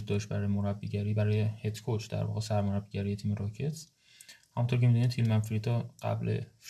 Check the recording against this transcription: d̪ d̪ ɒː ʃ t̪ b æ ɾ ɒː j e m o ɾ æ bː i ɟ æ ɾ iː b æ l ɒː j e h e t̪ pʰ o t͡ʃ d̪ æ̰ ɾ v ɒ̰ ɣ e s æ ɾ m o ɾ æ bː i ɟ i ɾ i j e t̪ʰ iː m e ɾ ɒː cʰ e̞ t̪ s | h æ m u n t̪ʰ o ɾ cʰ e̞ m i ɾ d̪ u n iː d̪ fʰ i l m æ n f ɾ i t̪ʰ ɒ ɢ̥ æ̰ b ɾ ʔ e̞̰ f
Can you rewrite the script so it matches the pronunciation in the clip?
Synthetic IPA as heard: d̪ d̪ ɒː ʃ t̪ b æ ɾ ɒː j e m o ɾ æ bː i ɟ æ ɾ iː b æ ɾ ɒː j e h e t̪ kʰ o t͡ʃ d̪ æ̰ ɾ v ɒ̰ ɣ e s æ ɾ m o ɾ æ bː i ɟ æ ɾ i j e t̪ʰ iː m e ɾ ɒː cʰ e̞ t̪ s | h æ m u n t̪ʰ o ɾ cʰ e̞ m i d̪ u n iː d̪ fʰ i l m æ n f ɾ i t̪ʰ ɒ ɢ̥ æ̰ b l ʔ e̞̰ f